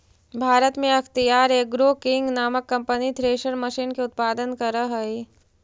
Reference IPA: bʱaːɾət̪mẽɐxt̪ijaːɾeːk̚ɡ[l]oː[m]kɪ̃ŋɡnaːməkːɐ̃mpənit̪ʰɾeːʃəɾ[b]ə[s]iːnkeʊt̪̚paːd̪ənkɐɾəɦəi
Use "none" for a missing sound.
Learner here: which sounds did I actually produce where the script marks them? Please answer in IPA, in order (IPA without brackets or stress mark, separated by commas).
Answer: ɾ, none, m, ʃ